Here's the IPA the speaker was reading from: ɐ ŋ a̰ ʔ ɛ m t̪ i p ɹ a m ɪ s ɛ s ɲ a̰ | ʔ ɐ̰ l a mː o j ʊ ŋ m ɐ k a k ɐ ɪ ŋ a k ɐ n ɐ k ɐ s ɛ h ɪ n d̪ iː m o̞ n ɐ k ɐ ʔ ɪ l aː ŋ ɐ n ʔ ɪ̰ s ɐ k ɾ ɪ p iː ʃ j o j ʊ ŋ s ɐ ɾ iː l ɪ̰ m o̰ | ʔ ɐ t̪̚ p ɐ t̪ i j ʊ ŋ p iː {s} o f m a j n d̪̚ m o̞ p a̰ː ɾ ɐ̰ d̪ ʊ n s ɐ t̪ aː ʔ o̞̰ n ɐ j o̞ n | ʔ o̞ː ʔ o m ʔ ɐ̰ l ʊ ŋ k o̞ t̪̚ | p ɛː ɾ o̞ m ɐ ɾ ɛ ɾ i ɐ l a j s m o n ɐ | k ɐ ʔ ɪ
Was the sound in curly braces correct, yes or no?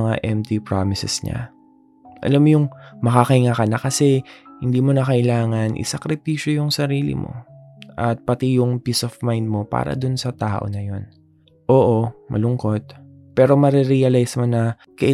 yes